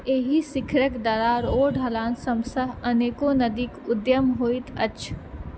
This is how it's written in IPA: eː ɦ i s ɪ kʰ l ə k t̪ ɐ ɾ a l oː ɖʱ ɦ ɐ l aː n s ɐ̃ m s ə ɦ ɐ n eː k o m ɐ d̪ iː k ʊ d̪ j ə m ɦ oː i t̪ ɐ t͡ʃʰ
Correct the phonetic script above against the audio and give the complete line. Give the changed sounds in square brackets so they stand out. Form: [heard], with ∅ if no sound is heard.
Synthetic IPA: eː ɦ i s ɪ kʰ [ɾ] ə k [d̪] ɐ ɾ a [ɾ] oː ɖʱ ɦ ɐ l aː n s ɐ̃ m s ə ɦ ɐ n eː k o [n] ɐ d̪ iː k ʊ d̪ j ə m ɦ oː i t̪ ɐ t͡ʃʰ